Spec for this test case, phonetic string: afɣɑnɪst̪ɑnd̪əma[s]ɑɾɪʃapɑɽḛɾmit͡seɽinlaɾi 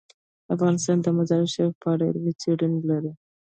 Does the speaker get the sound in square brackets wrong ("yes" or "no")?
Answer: yes